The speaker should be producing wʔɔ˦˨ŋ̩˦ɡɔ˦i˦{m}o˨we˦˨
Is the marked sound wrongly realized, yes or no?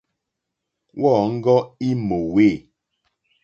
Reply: no